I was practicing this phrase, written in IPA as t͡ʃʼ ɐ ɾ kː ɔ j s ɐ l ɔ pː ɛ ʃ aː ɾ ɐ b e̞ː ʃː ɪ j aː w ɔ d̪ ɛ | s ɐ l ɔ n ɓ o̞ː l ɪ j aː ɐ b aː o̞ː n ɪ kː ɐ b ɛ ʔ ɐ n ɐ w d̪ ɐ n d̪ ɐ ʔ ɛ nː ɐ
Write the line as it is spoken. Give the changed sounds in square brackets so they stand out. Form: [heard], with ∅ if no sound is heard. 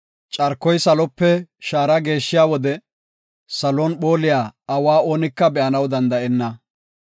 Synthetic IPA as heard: t͡ʃʼ ɐ ɾ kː ɔ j s ɐ l ɔ pː ɛ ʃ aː ɾ ɐ [ɡ] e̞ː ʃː ɪ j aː w ɔ d̪ ɛ | s ɐ l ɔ n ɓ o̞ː l ɪ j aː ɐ [w] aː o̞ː n ɪ kː ɐ b ɛ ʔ ɐ n ɐ w d̪ ɐ n d̪ ɐ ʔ ɛ nː ɐ

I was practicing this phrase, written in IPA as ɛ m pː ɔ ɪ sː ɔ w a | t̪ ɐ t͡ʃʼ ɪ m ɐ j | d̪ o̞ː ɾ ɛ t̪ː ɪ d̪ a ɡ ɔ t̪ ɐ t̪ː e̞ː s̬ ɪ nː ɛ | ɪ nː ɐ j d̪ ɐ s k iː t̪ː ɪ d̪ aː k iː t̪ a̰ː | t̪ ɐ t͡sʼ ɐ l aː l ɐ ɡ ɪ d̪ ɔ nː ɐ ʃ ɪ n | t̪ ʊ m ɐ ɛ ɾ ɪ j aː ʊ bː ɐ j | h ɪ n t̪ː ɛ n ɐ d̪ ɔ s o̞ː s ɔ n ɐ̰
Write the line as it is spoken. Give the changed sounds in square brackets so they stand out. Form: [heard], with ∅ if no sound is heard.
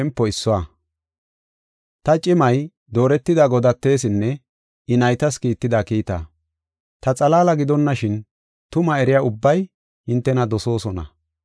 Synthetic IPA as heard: ɛ m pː ɔ ɪ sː ɔ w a | t̪ ɐ t͡ʃʼ ɪ m ɐ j | d̪ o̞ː ɾ ɛ t̪ː ɪ d̪ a ɡ ɔ [d̪] ɐ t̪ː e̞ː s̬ ɪ nː ɛ | ɪ [n] ɐ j [t̪] ɐ s k iː t̪ː ɪ d̪ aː k iː t̪ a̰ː | t̪ ɐ t͡sʼ ɐ l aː l ɐ ɡ ɪ d̪ ɔ nː ɐ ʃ ɪ n | t̪ ʊ m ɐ ɛ ɾ ɪ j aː ʊ bː ɐ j | h ɪ n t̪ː ɛ n ɐ d̪ ɔ s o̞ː s ɔ n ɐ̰

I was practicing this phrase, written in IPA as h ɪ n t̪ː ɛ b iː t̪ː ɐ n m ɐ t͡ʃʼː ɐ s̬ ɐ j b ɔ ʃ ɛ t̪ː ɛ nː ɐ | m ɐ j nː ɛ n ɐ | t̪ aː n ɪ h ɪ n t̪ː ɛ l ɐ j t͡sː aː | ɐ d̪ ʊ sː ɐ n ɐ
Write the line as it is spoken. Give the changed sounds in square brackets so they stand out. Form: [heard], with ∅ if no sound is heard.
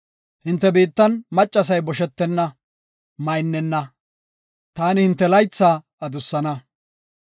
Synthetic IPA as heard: h ɪ n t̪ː ɛ b iː t̪ː ɐ n m ɐ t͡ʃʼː ɐ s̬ ɐ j b ɔ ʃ ɛ t̪ː ɛ nː ɐ | m ɐ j nː ɛ [nː] ɐ | t̪ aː n ɪ h ɪ n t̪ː ɛ l ɐ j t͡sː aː | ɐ d̪ ʊ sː ɐ n ɐ

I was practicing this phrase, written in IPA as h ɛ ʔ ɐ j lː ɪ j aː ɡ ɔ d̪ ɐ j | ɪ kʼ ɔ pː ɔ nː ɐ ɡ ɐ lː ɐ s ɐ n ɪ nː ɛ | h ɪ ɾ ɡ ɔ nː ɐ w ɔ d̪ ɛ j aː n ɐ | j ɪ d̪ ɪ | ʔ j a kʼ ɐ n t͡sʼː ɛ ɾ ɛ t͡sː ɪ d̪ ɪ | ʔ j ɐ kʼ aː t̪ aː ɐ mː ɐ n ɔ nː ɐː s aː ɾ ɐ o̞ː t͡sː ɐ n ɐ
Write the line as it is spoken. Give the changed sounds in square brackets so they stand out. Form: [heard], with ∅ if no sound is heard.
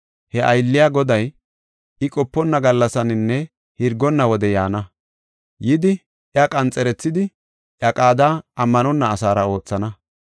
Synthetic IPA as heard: h ɛ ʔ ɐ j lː ɪ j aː ɡ ɔ d̪ ɐ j | ɪ kʼ ɔ pː ɔ nː ɐ ɡ ɐ lː ɐ s ɐ n ɪ nː ɛ | h ɪ ɾ ɡ ɔ nː ɐ w ɔ d̪ ɛ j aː n ɐ | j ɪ d̪ ɪ | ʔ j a kʼ ɐ n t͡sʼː ɛ ɾ ɛ t͡sː ɪ d̪ ɪ | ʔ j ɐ kʼ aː [d̪] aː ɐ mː ɐ n ɔ nː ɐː s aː ɾ ɐ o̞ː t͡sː ɐ n ɐ

